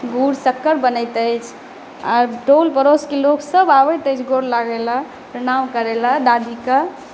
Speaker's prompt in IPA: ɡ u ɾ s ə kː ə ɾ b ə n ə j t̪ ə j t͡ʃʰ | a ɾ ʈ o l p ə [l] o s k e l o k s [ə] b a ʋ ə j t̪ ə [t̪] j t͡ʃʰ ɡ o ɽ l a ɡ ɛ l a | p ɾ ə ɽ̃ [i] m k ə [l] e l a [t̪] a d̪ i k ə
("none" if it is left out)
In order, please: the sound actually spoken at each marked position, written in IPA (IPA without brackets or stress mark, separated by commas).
ɾ, ə, none, a, ɾ, d̪